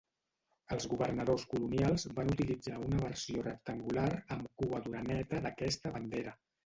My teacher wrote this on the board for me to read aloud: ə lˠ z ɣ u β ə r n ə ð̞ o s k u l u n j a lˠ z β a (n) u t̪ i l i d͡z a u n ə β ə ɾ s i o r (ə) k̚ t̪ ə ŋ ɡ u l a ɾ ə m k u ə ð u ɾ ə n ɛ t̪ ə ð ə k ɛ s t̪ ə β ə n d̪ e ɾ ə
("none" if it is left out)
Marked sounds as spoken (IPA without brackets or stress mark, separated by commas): n, ə